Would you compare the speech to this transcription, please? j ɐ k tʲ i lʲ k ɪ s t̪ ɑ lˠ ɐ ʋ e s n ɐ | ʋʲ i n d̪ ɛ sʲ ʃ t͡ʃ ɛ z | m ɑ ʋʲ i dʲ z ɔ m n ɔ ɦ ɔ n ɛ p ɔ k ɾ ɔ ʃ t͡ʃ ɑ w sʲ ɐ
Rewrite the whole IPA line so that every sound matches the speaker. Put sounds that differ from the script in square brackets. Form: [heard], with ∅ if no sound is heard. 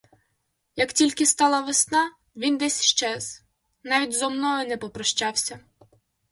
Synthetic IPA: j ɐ k tʲ i lʲ k ɪ s t̪ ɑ lˠ ɐ ʋ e s n [ɑ] | ʋʲ i n d̪ ɛ sʲ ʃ t͡ʃ ɛ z | [n] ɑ ʋʲ i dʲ z ɔ m n ɔ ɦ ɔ n ɛ p ɔ [p] ɾ ɔ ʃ t͡ʃ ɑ w sʲ ɐ